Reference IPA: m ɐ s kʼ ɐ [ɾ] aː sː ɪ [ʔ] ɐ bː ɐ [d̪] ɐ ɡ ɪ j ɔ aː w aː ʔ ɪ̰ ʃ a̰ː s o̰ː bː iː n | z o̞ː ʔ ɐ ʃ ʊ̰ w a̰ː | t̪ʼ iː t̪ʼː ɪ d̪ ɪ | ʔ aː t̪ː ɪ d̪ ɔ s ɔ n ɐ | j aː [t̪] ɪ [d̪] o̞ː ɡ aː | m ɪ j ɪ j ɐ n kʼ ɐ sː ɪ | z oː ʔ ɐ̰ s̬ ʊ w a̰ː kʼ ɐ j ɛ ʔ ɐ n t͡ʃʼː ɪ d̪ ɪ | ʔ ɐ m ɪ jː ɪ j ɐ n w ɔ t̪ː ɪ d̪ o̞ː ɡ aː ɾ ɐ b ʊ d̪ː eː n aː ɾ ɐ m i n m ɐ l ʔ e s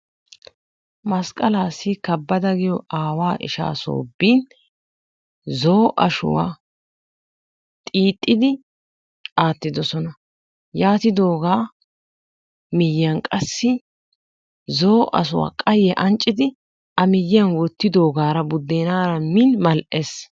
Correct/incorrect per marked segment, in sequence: incorrect: l, incorrect: k, correct, correct, correct

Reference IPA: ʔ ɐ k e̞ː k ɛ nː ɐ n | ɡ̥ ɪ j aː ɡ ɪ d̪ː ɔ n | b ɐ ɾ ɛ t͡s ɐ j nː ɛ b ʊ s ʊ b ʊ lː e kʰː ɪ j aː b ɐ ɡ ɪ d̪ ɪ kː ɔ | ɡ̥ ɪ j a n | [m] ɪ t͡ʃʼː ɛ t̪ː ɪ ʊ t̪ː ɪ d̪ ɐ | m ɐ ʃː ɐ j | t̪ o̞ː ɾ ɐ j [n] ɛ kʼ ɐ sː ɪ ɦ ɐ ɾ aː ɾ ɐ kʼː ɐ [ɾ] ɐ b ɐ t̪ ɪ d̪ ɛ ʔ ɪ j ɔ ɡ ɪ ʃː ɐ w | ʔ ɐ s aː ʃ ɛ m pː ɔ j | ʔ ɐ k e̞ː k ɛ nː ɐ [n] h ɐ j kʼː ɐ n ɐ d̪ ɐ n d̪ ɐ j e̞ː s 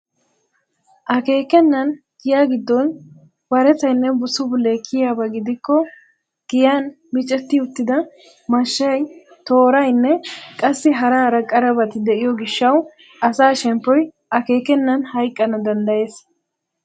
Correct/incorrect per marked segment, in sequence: correct, incorrect: nː, correct, correct

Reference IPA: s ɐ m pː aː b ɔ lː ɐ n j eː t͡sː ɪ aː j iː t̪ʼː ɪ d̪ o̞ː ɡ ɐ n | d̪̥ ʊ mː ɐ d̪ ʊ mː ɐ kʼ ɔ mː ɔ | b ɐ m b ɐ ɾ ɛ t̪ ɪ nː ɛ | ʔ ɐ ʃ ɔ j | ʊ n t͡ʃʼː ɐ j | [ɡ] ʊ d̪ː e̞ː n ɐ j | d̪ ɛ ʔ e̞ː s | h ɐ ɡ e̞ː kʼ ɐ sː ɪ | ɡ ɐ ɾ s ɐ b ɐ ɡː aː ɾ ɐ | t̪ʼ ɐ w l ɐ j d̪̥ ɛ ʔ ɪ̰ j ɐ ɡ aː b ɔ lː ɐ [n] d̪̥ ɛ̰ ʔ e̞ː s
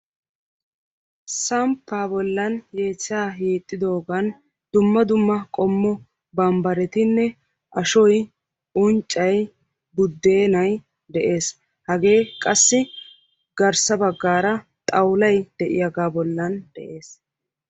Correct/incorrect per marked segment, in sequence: incorrect: b, correct

